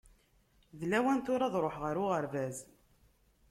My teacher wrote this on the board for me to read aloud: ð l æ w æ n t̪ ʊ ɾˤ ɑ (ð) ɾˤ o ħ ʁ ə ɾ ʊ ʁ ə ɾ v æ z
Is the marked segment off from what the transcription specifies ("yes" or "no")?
no